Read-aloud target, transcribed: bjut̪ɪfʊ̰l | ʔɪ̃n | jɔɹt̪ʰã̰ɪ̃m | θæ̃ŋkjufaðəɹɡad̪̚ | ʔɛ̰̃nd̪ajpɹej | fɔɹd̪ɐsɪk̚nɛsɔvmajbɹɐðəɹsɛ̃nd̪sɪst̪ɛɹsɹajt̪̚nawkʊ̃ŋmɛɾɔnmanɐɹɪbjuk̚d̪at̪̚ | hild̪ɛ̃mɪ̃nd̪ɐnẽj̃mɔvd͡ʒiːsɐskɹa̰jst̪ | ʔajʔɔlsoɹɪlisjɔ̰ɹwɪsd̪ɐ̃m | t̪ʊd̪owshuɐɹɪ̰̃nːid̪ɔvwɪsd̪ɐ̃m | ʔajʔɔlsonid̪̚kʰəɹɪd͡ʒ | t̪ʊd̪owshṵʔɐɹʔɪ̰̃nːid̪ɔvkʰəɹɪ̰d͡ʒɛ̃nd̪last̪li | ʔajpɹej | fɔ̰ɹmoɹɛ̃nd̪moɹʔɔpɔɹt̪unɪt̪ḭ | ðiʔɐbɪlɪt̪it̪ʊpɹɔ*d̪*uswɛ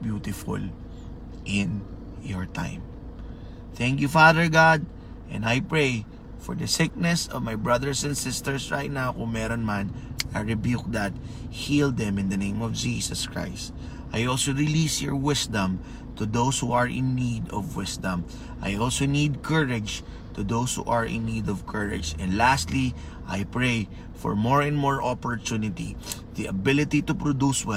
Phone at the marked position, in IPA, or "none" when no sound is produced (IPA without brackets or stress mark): d̪